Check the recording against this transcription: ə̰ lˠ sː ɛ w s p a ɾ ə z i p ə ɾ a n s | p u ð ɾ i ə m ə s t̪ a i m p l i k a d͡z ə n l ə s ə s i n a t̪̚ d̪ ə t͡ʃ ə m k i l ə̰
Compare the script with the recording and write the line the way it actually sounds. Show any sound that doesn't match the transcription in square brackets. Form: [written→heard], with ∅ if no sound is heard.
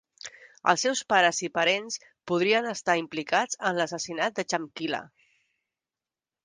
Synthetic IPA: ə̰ lˠ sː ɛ w s p a ɾ ə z i p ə ɾ [a→e] n s | p u ð ɾ i ə [m→n] ə s t̪ a i m p l i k a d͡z ə n l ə s ə s i n a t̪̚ d̪ ə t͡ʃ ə m k i l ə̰